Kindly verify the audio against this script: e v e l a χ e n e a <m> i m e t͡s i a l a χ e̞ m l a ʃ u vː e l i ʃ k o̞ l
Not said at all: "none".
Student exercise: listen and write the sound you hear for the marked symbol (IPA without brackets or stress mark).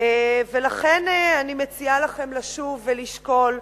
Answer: n